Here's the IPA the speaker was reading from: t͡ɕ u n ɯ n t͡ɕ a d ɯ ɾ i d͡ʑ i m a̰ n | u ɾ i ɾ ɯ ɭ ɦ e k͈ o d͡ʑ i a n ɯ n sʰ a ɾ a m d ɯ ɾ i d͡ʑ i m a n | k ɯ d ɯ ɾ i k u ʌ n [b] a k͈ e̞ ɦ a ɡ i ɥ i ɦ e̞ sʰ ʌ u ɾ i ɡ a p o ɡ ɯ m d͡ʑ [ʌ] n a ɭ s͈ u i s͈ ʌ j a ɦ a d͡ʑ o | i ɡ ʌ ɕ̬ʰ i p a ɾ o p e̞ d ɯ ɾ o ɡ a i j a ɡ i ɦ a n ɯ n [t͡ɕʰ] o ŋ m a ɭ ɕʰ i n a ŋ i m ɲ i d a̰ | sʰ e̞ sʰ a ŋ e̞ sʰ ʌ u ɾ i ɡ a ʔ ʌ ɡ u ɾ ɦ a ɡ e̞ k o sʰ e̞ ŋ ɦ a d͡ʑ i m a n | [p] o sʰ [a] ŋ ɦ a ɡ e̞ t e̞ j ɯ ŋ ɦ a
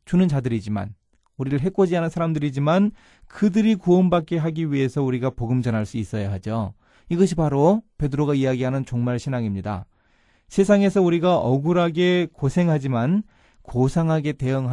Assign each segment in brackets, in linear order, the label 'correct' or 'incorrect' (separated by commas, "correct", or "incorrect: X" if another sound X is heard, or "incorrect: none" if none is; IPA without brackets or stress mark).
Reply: correct, correct, incorrect: t͡ɕ, incorrect: k, correct